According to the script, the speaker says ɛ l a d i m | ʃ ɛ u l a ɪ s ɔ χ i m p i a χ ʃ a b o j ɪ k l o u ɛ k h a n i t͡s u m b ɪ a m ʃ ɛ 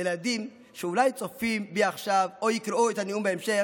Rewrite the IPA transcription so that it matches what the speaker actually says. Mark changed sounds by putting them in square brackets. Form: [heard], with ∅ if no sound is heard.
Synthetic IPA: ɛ l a d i m | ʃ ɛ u l a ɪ [t͡s] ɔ [f] i m [b] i a χ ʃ a [v] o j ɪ k [ɾ] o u ɛ [t] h a n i [∅] u m b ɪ [ɛ] m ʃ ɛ